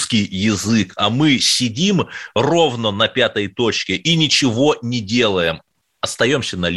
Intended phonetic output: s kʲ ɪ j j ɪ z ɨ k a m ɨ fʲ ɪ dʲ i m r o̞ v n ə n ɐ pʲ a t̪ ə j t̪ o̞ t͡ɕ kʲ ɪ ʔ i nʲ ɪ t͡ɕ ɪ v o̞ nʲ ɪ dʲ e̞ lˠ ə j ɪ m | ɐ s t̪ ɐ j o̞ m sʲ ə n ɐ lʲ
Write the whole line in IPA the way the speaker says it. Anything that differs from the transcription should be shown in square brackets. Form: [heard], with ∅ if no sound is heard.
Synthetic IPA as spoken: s kʲ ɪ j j ɪ z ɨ k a m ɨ [sʲ] ɪ dʲ i m r o̞ v n ə n ɐ pʲ a t̪ ə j t̪ o̞ t͡ɕ kʲ ɪ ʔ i nʲ ɪ t͡ɕ ɪ v o̞ nʲ ɪ dʲ e̞ lˠ ə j ɪ m | ɐ s t̪ ɐ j o̞ m sʲ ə n ɐ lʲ